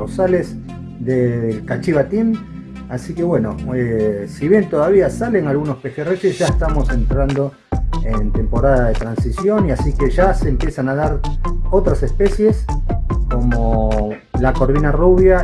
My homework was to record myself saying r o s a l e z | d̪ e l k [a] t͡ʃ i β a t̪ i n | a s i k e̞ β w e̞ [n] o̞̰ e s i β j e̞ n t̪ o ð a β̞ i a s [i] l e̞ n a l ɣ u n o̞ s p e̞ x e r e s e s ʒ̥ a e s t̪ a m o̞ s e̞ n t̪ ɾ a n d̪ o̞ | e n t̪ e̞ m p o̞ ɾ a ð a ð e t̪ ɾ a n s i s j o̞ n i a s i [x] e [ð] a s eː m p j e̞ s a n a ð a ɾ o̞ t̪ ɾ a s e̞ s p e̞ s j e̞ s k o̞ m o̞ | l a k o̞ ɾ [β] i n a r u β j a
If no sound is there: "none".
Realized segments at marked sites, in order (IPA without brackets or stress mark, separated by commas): a, n, a, k, ʒ, β